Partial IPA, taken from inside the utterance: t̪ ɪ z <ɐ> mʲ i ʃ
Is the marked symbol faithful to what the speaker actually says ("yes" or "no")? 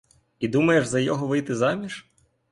no